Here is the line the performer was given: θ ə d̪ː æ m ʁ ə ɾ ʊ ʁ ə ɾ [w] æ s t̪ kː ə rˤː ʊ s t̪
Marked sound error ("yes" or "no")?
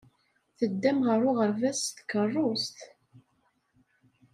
yes